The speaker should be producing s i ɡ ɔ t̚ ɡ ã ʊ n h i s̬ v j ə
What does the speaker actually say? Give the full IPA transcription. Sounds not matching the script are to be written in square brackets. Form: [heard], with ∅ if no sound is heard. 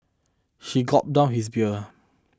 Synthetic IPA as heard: [ʃ] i ɡ ɔ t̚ [d] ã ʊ n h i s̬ [b] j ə

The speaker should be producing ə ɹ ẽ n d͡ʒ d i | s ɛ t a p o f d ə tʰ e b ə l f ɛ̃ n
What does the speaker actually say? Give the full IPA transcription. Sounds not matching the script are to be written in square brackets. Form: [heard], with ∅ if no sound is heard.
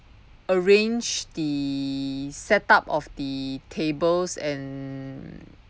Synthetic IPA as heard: ə ɹ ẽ n d͡ʒ d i | s ɛ t a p [ɔ] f d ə tʰ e b ə l [s] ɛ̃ n

